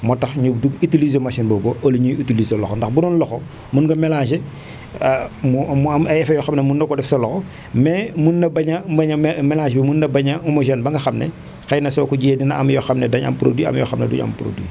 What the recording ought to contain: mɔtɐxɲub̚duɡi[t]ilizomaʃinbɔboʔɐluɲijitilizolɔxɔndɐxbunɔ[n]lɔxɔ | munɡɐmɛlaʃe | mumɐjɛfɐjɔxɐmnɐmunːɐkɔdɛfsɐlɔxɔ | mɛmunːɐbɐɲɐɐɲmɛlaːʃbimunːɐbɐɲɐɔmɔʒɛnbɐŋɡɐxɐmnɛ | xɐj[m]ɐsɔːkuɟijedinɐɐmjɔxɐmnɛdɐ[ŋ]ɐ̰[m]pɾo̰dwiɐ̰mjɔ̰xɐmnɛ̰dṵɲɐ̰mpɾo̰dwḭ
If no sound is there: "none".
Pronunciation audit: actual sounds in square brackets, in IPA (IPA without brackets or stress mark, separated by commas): t, n, n, ɲ, m